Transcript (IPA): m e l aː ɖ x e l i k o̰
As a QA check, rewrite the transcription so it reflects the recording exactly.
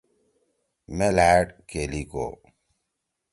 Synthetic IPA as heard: m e l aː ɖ k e l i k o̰

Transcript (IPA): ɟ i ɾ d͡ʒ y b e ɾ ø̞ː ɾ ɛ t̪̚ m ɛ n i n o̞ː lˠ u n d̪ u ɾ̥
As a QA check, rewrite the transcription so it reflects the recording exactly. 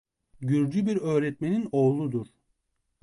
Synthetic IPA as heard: ɟ y ɾ d͡ʒ y b i ɾ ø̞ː ɾ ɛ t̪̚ m e n i n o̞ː lˠ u d̪ u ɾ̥

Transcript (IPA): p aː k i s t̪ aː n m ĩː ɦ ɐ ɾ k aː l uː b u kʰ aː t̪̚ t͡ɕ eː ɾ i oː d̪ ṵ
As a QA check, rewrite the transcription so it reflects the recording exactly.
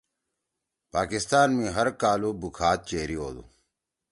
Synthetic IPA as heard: p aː k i s t̪ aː n m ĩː ɦ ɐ ɾ k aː l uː b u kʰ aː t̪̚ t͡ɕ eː ɾ i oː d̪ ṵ

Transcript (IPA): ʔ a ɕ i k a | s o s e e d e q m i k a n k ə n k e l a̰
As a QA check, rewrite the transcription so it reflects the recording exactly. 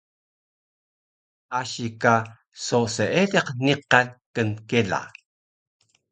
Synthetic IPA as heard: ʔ a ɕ i k a | s o s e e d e q n i q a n k ə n k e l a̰

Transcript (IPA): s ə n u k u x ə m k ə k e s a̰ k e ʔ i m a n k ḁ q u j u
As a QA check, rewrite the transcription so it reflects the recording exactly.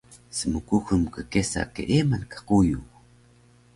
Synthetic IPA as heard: s ə m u k u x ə m k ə k e s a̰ k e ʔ e m a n k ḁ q u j u

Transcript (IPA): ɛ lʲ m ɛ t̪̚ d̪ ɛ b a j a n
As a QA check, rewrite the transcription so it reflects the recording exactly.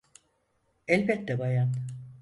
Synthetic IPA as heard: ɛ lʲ b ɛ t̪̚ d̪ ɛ b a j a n

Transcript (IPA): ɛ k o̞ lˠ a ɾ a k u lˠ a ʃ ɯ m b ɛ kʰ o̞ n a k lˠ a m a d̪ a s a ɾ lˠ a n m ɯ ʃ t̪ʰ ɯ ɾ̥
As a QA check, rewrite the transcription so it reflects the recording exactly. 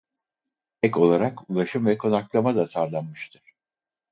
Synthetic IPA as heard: ɛ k o̞ lˠ a ɾ a k u lˠ a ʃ ɯ m v ɛ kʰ o̞ n a k lˠ a m a d̪ a s a ɾ lˠ a n m ɯ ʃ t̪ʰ ɯ ɾ̥

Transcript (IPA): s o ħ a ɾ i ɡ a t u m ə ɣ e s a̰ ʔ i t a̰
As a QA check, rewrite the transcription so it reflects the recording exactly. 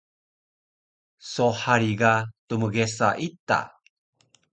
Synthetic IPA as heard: s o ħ a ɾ i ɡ a t u m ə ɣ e s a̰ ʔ i t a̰

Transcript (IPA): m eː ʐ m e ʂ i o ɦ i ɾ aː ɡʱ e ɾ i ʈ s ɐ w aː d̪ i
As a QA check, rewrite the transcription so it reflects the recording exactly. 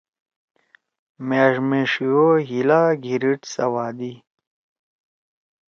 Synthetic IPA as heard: m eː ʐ m e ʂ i o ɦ i l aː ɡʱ i ɾ i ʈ s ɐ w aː d̪ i

